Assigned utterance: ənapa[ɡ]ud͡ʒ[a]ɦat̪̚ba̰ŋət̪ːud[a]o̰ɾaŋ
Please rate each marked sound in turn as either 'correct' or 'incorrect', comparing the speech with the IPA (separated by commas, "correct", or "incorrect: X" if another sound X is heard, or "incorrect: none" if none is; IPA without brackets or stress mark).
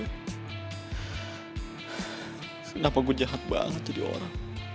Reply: correct, correct, incorrect: i